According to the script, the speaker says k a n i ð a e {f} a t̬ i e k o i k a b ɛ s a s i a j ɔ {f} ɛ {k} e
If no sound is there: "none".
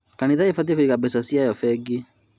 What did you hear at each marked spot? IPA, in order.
f, f, ɡ

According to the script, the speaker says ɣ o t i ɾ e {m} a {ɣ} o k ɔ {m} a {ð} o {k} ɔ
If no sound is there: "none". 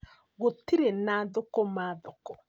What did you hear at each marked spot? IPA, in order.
n, ð, m, ð, k

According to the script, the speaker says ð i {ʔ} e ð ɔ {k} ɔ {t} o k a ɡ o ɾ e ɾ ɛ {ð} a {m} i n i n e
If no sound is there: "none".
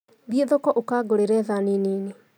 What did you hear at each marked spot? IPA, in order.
none, k, ʔ, ð, n

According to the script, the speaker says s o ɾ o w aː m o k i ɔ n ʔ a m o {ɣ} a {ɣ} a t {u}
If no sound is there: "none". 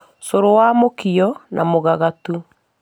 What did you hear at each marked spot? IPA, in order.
ɣ, ɣ, u

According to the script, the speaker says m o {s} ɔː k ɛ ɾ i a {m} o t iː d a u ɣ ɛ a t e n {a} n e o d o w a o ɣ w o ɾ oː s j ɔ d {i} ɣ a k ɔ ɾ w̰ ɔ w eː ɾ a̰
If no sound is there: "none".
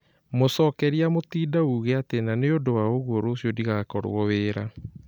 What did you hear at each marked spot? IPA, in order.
s, m, a, i

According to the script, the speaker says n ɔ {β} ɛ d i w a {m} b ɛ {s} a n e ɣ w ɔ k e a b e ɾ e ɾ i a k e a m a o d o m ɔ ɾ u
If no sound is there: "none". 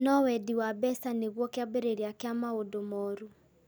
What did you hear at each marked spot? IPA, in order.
w, none, s

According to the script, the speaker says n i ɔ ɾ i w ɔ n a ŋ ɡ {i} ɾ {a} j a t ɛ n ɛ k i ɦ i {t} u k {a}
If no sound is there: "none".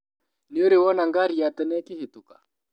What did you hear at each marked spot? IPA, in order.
a, i, t, a

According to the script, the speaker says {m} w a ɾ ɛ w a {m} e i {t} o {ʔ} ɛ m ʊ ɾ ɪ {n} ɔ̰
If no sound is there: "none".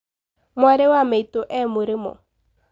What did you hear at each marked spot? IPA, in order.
m, m, t, ʔ, m

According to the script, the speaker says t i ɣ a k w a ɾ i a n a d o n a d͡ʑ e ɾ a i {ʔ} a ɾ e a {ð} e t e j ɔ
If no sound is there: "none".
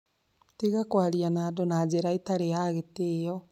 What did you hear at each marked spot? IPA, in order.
t, ɣ

